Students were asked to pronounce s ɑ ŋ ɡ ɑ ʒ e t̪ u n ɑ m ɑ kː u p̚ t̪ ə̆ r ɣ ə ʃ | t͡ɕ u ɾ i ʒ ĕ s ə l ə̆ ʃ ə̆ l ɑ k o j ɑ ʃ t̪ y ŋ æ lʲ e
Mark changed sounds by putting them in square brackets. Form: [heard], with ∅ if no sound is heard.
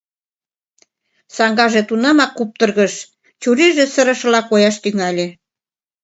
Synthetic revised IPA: s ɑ ŋ ɡ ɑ ʒ e t̪ u n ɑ m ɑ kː u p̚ t̪ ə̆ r ɣ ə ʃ | t͡ɕ u ɾ i ʒ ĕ s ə [ɾ] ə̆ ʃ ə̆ l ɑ k o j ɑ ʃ t̪ y ŋ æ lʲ e